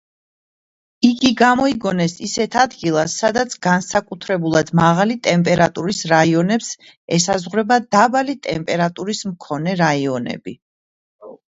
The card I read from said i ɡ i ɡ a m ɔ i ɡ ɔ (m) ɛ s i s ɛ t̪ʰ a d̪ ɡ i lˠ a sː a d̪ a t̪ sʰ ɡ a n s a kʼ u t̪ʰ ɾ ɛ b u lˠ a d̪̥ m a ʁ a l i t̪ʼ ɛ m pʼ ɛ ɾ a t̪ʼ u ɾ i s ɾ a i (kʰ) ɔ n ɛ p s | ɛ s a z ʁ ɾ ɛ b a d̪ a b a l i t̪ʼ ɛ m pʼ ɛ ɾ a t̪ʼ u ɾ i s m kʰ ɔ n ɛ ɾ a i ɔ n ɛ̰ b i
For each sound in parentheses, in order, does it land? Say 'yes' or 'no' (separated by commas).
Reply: no, no